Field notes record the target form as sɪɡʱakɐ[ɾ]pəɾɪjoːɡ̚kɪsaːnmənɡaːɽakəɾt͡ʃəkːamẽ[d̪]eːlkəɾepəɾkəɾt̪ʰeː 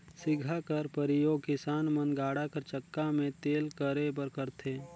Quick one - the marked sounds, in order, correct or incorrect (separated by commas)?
correct, incorrect